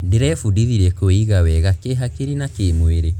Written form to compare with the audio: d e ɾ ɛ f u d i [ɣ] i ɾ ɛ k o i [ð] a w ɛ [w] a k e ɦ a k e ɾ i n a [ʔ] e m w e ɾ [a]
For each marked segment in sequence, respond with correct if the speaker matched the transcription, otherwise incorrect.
incorrect, incorrect, incorrect, incorrect, incorrect

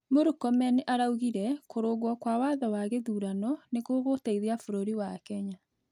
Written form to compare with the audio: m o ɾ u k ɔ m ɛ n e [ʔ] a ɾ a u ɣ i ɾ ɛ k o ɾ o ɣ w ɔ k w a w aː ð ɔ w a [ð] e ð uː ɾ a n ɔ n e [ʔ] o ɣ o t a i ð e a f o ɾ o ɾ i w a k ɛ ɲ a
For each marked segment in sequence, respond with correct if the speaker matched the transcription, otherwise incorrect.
correct, incorrect, incorrect

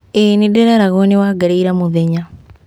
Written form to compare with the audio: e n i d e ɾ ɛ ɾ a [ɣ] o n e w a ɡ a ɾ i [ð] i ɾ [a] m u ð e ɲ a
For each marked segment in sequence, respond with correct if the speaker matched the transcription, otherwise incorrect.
correct, incorrect, correct

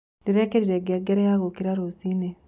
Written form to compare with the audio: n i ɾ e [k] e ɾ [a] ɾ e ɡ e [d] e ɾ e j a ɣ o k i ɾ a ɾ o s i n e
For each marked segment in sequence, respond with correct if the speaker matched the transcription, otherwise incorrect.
correct, incorrect, incorrect

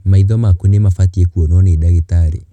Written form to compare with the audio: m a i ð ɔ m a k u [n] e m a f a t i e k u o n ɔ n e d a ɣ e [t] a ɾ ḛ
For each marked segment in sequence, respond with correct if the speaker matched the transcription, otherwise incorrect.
correct, correct

